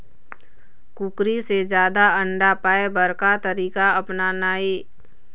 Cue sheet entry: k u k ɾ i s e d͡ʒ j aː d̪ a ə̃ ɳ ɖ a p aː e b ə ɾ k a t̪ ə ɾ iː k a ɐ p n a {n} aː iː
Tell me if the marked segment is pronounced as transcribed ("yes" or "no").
yes